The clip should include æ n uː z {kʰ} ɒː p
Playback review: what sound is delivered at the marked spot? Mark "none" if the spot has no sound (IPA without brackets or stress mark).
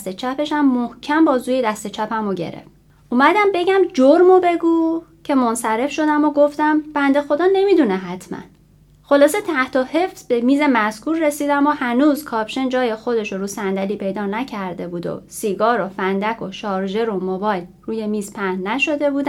kʰ